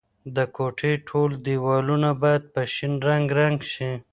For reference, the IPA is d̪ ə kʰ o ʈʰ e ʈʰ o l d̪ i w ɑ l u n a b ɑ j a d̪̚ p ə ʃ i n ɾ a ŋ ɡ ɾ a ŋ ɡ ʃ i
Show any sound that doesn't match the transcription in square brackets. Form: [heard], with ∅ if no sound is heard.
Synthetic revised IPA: d̪ ə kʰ o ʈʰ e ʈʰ o l d̪ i w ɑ l u n a b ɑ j a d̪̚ p ə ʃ i n ɾ a ŋ ɡ ɾ a ŋ ɡ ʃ i